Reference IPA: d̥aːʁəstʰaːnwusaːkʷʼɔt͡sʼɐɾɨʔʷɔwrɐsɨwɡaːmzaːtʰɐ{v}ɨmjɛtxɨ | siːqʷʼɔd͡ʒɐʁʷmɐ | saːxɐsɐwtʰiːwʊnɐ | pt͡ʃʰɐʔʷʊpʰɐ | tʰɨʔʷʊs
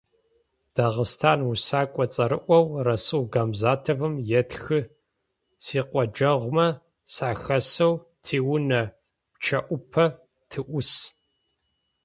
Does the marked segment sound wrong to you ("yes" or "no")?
no